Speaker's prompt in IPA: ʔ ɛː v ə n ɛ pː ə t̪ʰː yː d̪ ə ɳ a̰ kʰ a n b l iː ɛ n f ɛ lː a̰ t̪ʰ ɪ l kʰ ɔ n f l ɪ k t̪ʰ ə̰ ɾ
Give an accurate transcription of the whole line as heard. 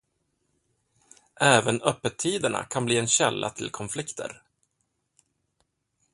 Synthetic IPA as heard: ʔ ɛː v ə n œ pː ə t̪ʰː iː d̪ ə ɳ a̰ kʰ a n b l iː ɛ n ɕ ɛ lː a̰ t̪ʰ ɪ l kʰ ɔ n f l ɪ k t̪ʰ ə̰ ɾ